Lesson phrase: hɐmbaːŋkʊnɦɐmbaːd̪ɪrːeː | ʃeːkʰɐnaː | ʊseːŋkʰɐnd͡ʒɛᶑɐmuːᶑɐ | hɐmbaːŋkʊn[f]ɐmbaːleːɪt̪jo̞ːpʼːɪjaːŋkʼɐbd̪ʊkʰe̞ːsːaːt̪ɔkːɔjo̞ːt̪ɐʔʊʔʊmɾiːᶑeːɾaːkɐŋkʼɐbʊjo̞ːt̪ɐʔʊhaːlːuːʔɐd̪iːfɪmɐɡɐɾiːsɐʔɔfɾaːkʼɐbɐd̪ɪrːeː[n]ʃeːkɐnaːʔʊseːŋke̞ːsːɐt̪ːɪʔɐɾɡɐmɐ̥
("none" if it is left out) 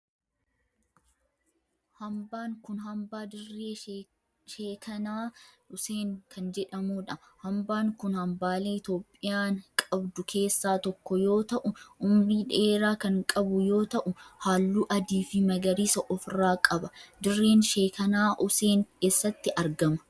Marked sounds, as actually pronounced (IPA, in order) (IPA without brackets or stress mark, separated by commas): h, n